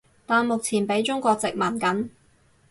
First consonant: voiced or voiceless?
voiceless